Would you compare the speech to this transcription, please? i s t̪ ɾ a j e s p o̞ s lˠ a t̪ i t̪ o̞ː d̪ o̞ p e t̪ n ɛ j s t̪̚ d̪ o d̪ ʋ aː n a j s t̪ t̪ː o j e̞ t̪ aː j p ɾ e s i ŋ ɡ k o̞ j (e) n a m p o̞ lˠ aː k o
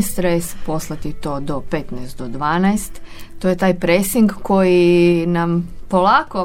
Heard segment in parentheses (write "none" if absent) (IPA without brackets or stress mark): i